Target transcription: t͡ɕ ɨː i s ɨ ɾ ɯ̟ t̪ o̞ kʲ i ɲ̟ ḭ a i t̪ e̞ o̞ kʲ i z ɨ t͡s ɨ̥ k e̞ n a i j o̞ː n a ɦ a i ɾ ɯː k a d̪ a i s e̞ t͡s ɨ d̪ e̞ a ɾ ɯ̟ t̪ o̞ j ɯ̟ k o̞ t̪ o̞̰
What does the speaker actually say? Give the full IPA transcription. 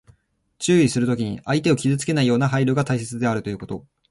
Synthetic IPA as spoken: t͡ɕ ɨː i s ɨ ɾ ɯ̟ t̪ o̞ kʲ i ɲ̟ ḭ a i t̪ e̞ o̞ kʲ i z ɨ t͡s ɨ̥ k e̞ n a i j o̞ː n a ɦ a i ɾ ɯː ɡ a t̪ a i s e̞ t͡s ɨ d̪ e̞ a ɾ ɯ̟ t̪ o̞ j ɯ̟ k o̞ t̪ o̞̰